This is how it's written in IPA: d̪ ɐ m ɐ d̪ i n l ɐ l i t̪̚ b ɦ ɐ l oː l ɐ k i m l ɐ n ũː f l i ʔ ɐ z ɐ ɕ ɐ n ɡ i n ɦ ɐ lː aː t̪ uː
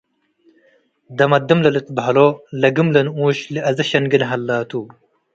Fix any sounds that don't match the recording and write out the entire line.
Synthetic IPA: d̪ ɐ m ɐ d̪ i m l ɐ l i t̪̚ b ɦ ɐ l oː l ɐ ɡ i m l ɐ n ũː ɕ l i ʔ ɐ z ɐ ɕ ɐ n ɡ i n ɦ ɐ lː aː t̪ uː